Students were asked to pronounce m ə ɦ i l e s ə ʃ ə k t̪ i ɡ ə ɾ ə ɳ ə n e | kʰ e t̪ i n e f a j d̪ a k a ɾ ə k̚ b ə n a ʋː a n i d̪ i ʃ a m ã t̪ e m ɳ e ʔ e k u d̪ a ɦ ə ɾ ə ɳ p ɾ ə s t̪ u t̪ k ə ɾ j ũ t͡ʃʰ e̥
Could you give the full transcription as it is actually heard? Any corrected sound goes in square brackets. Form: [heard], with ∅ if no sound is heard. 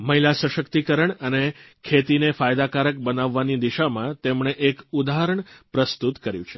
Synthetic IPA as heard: m ə ɦ i l [a] s ə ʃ ə k t̪ i [k] ə ɾ ə ɳ ə n e | kʰ e t̪ i n e f a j d̪ a k a ɾ ə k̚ b ə n a ʋː a n i d̪ i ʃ a m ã t̪ e m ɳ e ʔ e k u d̪ a ɦ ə ɾ ə ɳ p ɾ ə s t̪ u t̪ k ə ɾ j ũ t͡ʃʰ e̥